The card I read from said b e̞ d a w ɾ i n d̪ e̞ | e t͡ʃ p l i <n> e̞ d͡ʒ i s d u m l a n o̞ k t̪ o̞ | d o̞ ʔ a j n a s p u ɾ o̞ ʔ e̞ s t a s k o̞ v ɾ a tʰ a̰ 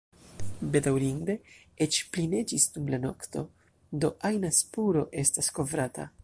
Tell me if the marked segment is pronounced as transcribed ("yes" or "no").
yes